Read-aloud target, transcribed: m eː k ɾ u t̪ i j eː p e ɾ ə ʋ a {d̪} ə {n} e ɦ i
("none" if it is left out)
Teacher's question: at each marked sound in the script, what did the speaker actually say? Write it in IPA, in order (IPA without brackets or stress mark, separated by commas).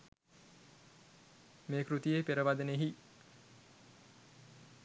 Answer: d̪, n